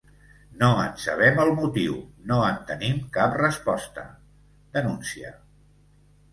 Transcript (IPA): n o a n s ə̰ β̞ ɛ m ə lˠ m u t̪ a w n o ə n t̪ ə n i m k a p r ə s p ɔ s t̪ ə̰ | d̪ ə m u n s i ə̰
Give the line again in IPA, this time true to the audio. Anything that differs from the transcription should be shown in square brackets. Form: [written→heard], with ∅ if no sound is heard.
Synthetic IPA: n o [a→ə] n s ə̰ β̞ ɛ m ə lˠ m u t̪ [a→i] w n o ə n t̪ ə n i m k a p r ə s p ɔ s t̪ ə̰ | d̪ ə [m→n] u n s i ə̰